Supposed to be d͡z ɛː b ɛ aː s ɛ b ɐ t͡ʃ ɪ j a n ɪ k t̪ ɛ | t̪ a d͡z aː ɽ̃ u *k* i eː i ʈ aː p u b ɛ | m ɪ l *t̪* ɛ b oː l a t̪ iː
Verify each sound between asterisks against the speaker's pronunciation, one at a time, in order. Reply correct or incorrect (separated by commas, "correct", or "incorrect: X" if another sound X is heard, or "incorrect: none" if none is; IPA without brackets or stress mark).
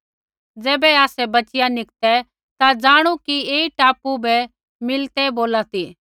correct, correct